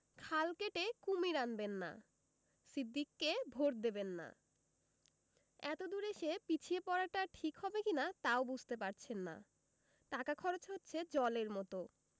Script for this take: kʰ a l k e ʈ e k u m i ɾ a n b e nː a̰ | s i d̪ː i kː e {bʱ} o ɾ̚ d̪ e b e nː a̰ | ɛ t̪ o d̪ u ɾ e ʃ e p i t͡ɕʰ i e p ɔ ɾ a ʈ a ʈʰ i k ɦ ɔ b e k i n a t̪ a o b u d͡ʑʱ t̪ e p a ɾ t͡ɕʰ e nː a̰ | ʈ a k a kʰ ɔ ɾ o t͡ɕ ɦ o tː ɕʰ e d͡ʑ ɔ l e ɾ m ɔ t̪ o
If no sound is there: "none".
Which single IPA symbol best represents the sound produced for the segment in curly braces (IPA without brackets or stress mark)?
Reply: bʱ